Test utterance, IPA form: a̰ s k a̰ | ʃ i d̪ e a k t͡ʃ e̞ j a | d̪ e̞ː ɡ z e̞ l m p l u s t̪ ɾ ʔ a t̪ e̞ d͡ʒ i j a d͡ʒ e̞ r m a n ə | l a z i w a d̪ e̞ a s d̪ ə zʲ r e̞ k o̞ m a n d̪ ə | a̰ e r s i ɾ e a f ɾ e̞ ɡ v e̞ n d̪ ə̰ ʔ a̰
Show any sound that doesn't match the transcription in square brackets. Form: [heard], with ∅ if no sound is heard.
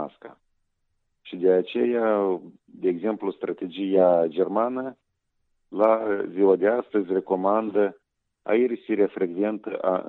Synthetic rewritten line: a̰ s k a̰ | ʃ i d̪ e a [∅] t͡ʃ e̞ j a | d̪ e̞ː ɡ z e̞ [∅] m p l u s t̪ ɾ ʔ a t̪ e̞ d͡ʒ i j a d͡ʒ e̞ r m a n ə | l a z i w a d̪ e̞ a s [t̪] ə zʲ r e̞ k o̞ m a n d̪ ə | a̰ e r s i ɾ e a f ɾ e̞ ɡ v e̞ n [t̪] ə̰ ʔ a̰